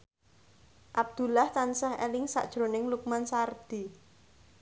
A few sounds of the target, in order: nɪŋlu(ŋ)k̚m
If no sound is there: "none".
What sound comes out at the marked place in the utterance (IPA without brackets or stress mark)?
none